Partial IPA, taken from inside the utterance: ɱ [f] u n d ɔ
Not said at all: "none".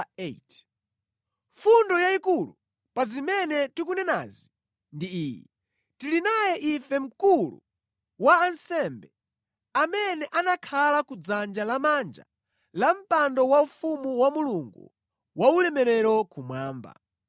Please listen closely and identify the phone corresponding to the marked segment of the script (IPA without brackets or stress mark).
f